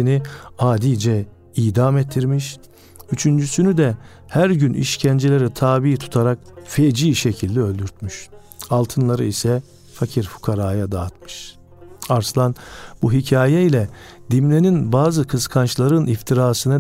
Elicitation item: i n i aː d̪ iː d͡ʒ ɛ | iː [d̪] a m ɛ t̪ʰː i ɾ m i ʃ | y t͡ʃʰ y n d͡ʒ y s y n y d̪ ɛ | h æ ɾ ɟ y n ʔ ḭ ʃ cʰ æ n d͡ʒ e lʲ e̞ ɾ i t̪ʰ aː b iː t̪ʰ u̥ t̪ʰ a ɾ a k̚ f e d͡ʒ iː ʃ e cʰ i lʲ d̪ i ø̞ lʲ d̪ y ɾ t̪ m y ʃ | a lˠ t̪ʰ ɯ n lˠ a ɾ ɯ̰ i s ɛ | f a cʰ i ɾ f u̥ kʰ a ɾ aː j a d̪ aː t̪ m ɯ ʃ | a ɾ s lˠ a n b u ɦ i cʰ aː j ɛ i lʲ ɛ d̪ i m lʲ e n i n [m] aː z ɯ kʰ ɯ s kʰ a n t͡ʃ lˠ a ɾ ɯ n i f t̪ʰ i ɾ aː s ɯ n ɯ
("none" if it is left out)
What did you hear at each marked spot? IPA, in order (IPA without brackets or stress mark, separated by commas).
d̪, b